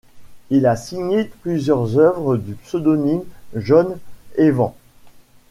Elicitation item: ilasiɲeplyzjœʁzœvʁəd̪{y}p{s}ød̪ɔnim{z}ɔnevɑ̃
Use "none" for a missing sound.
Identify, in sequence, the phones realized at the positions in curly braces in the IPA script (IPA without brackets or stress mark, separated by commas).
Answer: y, s, ʒ